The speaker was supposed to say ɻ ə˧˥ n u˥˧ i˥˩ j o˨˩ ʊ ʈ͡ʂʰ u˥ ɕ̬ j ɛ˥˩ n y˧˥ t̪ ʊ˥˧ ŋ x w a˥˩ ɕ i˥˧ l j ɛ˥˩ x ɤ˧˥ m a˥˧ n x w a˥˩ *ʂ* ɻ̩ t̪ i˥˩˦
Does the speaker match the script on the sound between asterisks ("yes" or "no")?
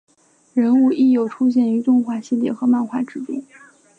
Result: no